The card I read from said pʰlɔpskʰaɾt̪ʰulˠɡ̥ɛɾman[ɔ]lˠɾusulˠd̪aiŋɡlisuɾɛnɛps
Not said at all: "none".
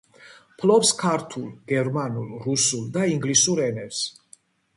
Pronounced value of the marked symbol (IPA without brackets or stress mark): u